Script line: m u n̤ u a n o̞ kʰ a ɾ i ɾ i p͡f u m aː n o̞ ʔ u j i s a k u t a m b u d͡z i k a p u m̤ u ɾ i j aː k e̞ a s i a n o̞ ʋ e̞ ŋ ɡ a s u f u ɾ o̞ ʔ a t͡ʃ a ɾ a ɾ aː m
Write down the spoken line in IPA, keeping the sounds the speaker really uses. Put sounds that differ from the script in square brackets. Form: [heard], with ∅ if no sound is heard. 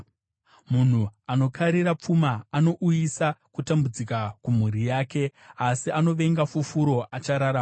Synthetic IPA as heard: m u n̤ u a n o̞ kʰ a ɾ i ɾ [a] p͡f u m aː n o̞ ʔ u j i s a k u t a m b u d͡z i k a [k] u m̤ u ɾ i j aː k e̞ a s i a n o̞ ʋ e̞ ŋ ɡ a [f] u f u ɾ o̞ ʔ a t͡ʃ a ɾ a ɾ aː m

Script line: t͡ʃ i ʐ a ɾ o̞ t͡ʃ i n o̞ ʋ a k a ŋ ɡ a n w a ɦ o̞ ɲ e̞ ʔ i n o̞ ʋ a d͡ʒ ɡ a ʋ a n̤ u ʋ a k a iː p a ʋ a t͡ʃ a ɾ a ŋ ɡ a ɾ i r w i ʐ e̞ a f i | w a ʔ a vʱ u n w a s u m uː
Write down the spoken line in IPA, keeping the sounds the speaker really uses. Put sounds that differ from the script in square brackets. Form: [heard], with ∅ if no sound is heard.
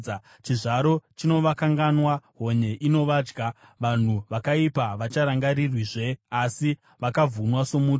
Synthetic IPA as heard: t͡ʃ i ʐ a ɾ o̞ t͡ʃ i n o̞ ʋ a k a ŋ ɡ a n w a ɦ o̞ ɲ e̞ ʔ i n o̞ ʋ a d͡ʒ ɡ a ʋ a n̤ u ʋ a k a [i] p a ʋ a t͡ʃ a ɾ a ŋ ɡ a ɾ i r w i ʐ e̞ a [s] i | [ʋ] a [k] a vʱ u n w a s [o] m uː

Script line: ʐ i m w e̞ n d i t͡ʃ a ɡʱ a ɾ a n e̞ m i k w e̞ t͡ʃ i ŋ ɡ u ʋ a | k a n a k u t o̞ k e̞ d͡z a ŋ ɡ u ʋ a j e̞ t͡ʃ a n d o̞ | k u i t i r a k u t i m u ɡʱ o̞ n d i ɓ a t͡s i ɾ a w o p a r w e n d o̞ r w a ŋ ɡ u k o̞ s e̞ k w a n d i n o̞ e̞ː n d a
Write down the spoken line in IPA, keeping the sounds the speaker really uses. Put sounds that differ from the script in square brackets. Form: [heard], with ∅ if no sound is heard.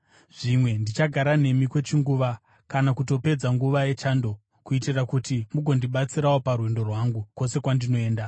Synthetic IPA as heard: ʐ i m w e̞ n d i t͡ʃ a ɡʱ a ɾ a n e̞ m i k w e̞ t͡ʃ i ŋ ɡ u ʋ a | k a n a k u t o̞ [p] e̞ d͡z a ŋ ɡ u ʋ a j e̞ t͡ʃ a n d o̞ | k u i t i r a k u t i m u ɡʱ o̞ n d i ɓ a t͡s i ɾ a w o p a r w e n d o̞ r w a ŋ ɡ u k o̞ s e̞ k w a n d i n o̞ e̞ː n d a

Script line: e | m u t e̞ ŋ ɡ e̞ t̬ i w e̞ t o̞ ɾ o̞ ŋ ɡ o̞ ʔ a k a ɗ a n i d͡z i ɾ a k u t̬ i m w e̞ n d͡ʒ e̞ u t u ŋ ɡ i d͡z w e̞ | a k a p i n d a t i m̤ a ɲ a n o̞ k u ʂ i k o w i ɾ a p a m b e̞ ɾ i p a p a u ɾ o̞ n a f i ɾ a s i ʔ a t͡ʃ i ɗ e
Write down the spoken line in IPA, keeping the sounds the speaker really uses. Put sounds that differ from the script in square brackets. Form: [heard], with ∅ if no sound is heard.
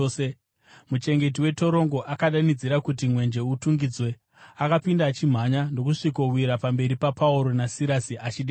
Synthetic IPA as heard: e | m u [t͡ʃ] e̞ ŋ ɡ e̞ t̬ i w e̞ t o̞ ɾ o̞ ŋ ɡ o̞ ʔ a k a ɗ a n i d͡z i ɾ a k u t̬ i m w e̞ n d͡ʒ e̞ u t u ŋ ɡ i d͡z w e̞ | a k a p i n d a [t͡ʃ] i m̤ a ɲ a n o̞ k u ʂ i k o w i ɾ a p a m b e̞ ɾ i p a p a u ɾ o̞ n a [s] i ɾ a s i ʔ a t͡ʃ i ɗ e

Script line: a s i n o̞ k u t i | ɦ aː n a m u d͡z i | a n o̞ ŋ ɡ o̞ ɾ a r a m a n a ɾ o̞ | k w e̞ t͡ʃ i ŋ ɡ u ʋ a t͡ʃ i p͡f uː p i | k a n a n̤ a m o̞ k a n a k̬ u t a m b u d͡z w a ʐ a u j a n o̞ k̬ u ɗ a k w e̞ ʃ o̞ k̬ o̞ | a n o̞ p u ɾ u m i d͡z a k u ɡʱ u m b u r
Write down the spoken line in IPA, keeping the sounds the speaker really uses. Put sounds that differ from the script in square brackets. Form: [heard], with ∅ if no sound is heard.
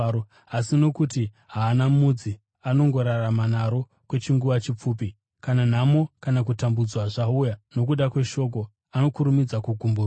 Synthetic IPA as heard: a s i n o̞ k u t i | ɦ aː n a m u d͡z i | a n o̞ ŋ ɡ o̞ ɾ a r a m a n a ɾ o̞ | k w e̞ t͡ʃ i ŋ ɡ u ʋ a t͡ʃ i p͡f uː p i | k a n a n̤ a m o̞ k a n a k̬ u t a m b u d͡z w a ʐ a u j a n o̞ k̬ u ɗ a k w e̞ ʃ o̞ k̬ o̞ | a n o̞ [k] u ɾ u m i d͡z a k u ɡʱ u m b u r

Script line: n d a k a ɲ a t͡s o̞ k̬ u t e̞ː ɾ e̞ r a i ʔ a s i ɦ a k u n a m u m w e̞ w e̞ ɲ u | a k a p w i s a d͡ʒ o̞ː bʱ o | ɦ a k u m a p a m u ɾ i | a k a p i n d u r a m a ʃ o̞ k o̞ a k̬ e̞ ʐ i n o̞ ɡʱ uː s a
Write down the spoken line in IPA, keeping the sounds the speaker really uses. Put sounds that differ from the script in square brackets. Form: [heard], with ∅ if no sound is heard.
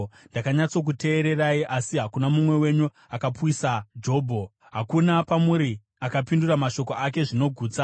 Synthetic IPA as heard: n d a k a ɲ a t͡s o̞ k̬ u t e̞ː ɾ e̞ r a i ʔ a s i ɦ a k u n a m u m w e̞ w e̞ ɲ u | a k a p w i s a d͡ʒ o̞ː bʱ o | ɦ a k u [n] a p a m u ɾ i | a k a p i n d u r a m a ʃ o̞ k o̞ a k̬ e̞ ʐ i n o̞ ɡʱ uː [t͡s] a

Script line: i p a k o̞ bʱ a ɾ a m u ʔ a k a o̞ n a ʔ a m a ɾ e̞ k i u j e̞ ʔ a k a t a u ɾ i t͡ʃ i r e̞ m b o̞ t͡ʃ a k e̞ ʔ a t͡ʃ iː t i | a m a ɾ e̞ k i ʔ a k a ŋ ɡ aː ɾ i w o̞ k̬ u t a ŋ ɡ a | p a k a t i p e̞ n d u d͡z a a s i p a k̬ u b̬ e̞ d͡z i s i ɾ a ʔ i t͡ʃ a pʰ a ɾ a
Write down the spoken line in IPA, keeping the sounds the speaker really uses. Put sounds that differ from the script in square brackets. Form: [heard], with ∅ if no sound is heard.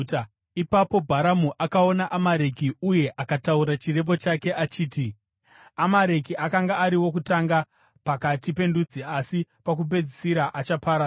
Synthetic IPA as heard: i p a [p] o̞ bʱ a ɾ a m u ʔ a k a o̞ n a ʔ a m a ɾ e̞ k i u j e̞ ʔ a k a t a u ɾ [a] t͡ʃ i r e̞ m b o̞ t͡ʃ a k e̞ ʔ a t͡ʃ iː t i | a m a ɾ e̞ k i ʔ a k a ŋ ɡ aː ɾ i w o̞ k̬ u t a ŋ ɡ a | p a k a t i p e̞ n d u d͡z [i] a s i p a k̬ u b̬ e̞ d͡z i s i ɾ a ʔ [a] t͡ʃ a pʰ a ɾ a

